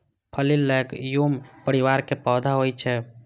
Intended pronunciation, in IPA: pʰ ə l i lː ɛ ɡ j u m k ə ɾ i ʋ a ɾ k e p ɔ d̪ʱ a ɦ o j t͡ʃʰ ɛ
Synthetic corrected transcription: pʰ ə l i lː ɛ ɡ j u m p ə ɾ i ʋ a ɾ k e p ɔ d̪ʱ a ɦ o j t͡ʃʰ ɛ